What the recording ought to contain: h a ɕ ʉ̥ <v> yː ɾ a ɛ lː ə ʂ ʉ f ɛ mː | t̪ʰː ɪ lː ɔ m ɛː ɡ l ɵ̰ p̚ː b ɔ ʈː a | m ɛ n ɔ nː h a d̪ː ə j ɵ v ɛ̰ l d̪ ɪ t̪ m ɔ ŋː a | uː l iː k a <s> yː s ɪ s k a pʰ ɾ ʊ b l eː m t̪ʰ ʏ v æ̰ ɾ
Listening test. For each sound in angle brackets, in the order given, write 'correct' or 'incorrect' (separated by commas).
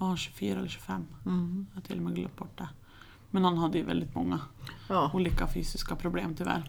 incorrect, incorrect